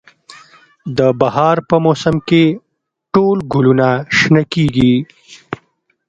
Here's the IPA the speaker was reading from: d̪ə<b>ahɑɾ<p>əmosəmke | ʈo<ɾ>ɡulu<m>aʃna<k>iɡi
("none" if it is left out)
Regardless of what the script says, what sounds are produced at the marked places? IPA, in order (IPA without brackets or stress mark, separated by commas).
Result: b, p, l, n, k